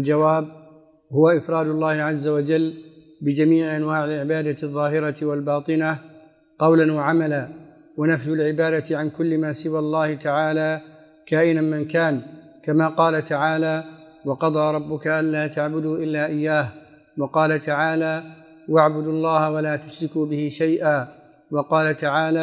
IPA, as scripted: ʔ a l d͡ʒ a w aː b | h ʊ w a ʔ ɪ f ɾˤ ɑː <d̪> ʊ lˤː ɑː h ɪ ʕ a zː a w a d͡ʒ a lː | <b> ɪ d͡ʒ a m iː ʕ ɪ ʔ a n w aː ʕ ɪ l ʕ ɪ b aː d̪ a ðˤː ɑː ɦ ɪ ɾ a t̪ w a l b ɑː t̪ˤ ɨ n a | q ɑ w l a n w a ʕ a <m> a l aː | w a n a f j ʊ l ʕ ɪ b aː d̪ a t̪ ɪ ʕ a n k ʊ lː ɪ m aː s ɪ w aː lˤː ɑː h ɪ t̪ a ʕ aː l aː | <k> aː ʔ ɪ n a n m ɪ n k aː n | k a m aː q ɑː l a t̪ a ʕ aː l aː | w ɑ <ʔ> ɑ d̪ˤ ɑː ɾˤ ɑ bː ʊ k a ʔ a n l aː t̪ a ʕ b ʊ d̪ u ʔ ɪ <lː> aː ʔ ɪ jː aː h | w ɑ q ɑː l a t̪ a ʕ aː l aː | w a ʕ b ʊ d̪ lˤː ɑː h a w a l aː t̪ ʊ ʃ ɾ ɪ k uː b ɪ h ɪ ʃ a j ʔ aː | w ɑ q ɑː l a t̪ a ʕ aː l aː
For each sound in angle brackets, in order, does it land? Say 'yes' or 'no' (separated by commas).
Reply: yes, yes, yes, yes, no, yes